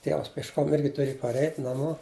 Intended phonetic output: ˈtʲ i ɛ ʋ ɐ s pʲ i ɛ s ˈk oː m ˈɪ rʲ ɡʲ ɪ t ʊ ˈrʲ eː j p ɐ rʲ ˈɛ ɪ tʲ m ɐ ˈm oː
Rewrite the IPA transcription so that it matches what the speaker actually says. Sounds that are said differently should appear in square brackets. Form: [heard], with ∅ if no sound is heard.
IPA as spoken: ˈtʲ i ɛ ʋ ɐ s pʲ i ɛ [ʃ] ˈk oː m ˈɪ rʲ ɡʲ ɪ t ʊ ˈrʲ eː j p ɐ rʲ ˈɛ ɪ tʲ [n] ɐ ˈm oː